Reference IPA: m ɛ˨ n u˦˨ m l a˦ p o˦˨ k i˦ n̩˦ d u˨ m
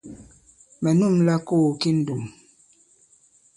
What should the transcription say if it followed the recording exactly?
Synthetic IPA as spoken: m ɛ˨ n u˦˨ m l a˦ k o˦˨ k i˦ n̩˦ d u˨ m